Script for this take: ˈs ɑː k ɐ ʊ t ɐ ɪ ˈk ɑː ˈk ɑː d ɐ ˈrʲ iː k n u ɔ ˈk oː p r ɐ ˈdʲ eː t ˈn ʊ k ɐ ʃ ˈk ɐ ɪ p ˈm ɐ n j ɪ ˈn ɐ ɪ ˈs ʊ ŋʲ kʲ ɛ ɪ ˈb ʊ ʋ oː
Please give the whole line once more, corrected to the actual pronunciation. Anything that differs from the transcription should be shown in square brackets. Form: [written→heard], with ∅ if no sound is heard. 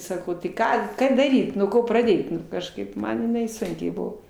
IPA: ˈs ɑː k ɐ ʊ t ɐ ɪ ˈk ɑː ˈk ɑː d ɐ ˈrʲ iː [k→t] n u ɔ ˈk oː p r ɐ ˈdʲ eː t ˈn ʊ k ɐ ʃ ˈk ɐ ɪ p ˈm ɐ n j ɪ ˈn ɐ ɪ ˈs ʊ ŋʲ kʲ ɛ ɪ ˈb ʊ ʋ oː